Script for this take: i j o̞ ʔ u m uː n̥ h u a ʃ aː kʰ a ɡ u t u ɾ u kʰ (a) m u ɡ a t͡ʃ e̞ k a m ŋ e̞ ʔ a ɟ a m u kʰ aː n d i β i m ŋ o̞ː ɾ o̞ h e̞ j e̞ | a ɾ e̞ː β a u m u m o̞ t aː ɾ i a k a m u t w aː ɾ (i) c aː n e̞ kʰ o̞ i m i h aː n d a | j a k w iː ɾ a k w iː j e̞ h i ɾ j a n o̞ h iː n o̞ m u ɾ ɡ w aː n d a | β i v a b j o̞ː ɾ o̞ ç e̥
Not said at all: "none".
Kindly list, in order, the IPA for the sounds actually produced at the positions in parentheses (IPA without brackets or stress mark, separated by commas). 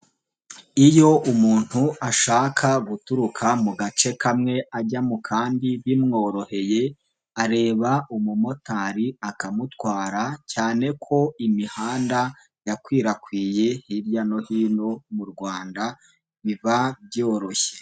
a, a